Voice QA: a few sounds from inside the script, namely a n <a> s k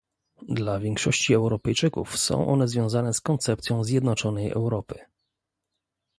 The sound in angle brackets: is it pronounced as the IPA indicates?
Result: no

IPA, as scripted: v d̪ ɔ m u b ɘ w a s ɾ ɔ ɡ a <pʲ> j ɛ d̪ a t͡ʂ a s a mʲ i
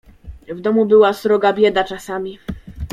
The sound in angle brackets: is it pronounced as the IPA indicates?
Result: no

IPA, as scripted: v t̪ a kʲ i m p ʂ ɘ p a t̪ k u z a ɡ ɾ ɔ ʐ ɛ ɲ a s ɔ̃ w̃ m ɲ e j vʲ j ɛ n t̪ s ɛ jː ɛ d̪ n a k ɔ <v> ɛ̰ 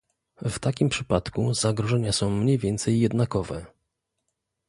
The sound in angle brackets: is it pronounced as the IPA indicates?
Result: yes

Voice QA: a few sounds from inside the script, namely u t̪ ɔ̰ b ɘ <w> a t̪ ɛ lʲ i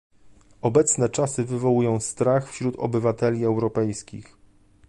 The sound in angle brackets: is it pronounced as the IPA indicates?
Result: no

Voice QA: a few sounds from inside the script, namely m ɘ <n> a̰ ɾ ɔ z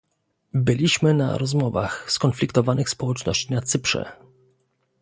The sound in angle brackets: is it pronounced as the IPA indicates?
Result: yes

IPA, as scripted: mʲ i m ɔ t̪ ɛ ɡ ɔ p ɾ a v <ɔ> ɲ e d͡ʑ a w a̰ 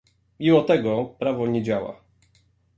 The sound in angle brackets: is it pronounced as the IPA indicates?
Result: yes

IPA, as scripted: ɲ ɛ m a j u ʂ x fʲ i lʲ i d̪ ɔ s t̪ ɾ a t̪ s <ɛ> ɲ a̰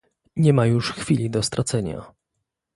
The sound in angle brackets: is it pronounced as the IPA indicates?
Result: yes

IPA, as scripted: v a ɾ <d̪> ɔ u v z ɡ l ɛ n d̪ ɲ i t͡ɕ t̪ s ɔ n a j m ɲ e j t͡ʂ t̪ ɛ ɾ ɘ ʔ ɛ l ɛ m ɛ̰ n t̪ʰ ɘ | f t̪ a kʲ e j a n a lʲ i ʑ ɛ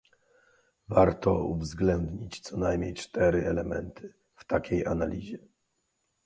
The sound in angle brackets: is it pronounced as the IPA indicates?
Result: no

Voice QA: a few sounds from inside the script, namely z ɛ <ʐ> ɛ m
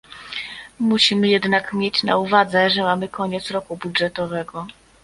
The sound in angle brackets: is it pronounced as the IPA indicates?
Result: yes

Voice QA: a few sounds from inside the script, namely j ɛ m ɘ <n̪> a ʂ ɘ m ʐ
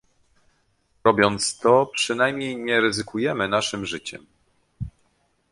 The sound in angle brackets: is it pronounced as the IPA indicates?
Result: yes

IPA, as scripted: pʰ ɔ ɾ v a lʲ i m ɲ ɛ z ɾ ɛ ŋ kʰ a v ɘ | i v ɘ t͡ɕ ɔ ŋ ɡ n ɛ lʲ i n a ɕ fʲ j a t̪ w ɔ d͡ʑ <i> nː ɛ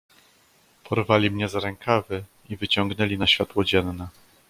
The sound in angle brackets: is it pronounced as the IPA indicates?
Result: no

